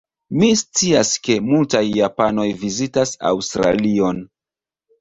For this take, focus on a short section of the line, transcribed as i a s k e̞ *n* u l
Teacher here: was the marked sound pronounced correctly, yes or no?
no